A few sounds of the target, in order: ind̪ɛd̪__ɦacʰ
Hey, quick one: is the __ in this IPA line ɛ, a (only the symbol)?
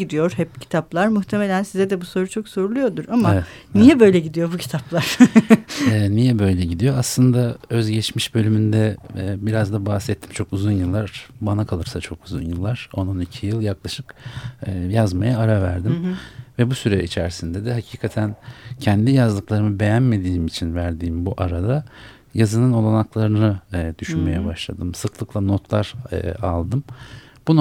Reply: ɛ